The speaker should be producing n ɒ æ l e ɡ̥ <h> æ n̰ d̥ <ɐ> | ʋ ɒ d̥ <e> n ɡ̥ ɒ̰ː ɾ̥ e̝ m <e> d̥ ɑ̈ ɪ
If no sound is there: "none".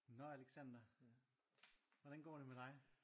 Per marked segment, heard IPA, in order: s, ɐ, æ, e

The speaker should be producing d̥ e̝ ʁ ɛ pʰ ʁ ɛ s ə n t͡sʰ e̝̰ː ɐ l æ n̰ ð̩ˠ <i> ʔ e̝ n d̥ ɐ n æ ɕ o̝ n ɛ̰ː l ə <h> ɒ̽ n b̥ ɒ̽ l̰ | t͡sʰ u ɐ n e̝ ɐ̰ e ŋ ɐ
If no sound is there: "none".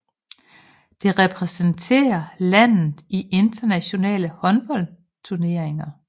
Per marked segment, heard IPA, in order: i, h

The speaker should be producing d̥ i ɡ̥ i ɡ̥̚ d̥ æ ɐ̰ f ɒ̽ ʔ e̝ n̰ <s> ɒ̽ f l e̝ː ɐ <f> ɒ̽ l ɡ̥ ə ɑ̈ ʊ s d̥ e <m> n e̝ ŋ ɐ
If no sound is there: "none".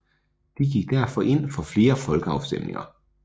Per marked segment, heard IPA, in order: f, f, m

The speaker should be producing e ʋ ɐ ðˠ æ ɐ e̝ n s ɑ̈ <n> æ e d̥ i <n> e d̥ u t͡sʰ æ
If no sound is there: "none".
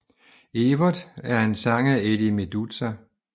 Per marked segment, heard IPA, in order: ŋ, m

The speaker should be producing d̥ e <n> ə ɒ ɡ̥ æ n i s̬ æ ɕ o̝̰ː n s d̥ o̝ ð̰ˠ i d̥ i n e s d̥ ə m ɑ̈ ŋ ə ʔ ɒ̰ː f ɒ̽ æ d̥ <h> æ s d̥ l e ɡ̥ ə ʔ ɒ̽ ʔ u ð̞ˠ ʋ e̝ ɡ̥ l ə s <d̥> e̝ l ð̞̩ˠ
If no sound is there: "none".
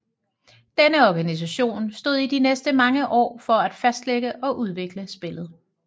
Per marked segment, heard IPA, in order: n, f, b̥

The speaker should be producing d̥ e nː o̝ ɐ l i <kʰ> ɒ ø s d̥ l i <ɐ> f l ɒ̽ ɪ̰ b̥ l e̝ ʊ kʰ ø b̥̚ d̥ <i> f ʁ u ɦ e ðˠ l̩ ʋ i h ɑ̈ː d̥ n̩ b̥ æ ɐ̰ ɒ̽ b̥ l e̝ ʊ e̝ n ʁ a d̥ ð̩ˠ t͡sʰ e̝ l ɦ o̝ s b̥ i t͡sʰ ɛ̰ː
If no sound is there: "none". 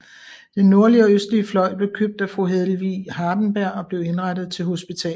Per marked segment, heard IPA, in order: none, ə, æ

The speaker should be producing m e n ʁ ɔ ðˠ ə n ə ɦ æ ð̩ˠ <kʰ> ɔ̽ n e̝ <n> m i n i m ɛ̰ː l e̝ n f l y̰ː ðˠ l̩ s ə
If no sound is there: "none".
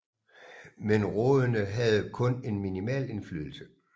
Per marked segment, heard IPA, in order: kʰ, n

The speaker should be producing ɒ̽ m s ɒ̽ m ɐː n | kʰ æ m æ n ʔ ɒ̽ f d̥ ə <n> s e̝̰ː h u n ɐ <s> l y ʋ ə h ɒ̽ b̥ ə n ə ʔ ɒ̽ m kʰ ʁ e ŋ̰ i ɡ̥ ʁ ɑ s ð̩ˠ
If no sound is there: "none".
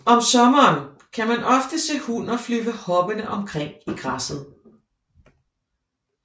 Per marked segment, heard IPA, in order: none, f

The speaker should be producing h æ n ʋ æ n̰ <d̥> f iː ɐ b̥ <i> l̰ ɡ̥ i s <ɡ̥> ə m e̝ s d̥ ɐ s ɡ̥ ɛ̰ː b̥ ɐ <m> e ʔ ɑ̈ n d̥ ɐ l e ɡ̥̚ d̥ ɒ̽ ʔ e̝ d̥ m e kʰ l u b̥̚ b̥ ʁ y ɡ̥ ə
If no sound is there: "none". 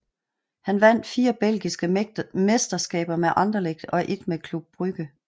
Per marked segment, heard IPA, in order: d̥, e, ɡ̥, m

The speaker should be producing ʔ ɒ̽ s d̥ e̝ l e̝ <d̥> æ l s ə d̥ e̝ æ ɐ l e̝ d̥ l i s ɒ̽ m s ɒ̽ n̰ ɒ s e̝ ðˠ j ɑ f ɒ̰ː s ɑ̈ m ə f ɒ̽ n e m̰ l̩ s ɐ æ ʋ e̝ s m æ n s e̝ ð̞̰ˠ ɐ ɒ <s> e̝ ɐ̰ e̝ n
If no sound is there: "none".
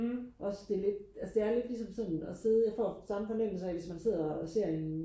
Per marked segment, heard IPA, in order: d̥, s

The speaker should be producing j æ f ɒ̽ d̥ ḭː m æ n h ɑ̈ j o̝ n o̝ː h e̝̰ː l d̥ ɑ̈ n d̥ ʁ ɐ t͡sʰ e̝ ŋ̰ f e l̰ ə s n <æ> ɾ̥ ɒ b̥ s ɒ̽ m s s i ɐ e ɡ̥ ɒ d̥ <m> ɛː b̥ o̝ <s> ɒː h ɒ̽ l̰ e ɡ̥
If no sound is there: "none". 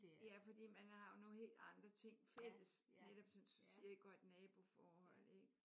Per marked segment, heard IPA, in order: e, n, f

